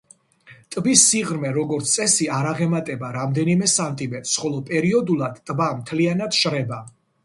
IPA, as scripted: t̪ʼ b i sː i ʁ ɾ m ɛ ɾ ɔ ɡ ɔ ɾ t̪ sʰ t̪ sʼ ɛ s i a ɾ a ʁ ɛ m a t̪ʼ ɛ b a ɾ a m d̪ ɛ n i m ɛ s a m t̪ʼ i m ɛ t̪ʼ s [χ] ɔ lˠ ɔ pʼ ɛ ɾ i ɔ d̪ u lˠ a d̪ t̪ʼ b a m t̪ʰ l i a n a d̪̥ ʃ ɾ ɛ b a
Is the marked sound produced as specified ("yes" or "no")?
yes